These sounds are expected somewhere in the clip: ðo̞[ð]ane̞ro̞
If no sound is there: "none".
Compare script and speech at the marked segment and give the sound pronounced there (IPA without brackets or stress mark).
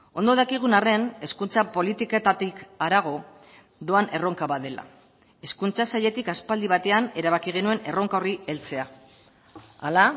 none